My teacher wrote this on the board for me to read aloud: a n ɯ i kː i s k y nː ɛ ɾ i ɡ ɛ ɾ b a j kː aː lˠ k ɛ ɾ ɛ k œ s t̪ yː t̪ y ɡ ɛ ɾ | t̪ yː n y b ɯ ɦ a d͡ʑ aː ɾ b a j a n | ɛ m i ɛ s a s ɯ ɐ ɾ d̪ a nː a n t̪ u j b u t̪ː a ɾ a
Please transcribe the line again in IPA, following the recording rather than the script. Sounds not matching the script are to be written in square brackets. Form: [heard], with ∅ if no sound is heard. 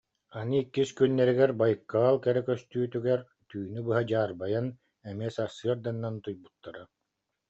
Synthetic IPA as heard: a n ɯ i kː i s k y nː ɛ ɾ i ɡ ɛ ɾ b a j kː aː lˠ k ɛ ɾ ɛ k œ s t̪ yː t̪ y ɡ ɛ ɾ | t̪ yː n y b ɯ ɦ a d͡ʑ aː ɾ b a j a n | ɛ m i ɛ s a s ɯ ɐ ɾ d̪ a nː a n t̪ u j b u t̪ː a ɾ a